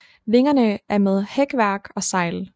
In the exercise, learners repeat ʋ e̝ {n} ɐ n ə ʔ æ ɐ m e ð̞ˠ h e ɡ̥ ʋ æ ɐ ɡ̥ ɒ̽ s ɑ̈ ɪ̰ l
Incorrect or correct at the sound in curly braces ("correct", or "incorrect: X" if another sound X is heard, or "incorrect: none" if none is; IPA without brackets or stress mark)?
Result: incorrect: ŋ